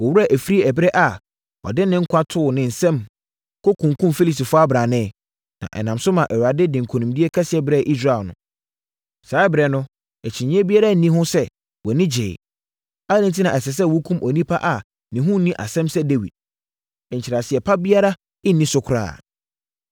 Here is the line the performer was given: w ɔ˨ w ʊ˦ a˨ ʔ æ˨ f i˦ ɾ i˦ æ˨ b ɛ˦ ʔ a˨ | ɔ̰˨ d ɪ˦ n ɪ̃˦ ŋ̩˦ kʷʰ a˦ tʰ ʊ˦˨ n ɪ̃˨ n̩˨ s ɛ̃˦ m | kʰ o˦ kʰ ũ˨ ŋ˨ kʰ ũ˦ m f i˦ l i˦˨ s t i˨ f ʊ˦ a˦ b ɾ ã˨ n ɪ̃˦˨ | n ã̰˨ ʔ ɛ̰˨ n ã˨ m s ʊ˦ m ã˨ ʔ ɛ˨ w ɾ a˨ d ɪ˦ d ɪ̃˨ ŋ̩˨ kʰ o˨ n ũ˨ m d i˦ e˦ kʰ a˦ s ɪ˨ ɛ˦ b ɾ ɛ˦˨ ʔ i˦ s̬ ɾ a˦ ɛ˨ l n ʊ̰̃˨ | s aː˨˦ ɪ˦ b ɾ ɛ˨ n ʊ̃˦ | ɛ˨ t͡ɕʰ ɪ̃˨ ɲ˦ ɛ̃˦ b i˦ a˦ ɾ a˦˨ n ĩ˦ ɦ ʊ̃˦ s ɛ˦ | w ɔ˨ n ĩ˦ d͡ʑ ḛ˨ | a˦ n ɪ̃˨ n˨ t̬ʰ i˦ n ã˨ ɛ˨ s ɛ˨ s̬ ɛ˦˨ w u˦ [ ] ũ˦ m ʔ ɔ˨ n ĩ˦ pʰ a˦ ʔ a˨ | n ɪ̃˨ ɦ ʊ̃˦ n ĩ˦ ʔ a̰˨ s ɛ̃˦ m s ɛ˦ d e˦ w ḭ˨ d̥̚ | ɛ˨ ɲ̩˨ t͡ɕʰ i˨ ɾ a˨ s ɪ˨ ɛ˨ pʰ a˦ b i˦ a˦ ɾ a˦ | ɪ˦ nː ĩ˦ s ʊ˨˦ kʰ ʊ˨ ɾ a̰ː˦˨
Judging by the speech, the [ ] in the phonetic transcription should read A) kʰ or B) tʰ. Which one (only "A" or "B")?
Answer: A